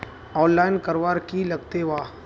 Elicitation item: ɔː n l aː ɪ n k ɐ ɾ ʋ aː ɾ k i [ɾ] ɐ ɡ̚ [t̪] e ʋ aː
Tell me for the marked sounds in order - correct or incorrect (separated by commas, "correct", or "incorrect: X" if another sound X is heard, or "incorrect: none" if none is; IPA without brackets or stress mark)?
incorrect: l, correct